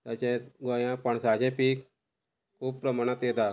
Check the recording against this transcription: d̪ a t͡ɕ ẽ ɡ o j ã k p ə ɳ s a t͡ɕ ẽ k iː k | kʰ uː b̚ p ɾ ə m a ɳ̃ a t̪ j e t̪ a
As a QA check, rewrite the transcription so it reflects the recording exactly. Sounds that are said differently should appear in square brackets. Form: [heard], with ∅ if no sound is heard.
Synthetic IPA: [t̪] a t͡ɕ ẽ ɡ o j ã [∅] p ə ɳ s a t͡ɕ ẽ [p] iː k | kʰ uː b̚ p ɾ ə m a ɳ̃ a t̪ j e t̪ a